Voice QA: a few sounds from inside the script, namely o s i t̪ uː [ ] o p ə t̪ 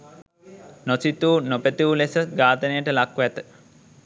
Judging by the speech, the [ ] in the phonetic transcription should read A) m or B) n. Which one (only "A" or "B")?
B